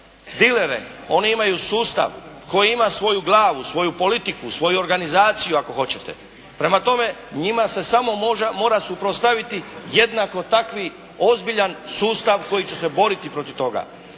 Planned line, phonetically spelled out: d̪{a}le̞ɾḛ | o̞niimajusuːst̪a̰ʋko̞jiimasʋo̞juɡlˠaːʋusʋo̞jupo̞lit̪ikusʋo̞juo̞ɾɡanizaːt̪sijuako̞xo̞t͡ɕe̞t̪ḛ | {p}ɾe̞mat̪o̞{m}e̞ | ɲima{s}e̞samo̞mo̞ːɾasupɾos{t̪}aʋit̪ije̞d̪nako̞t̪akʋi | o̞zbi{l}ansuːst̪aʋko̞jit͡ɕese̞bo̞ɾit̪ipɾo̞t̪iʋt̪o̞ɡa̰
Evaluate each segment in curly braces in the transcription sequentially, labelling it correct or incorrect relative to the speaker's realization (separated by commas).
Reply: incorrect, correct, correct, correct, correct, incorrect